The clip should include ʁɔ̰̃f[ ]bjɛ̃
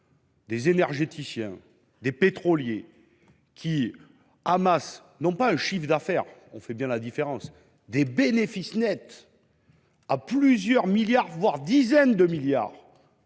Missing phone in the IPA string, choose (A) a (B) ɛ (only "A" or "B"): B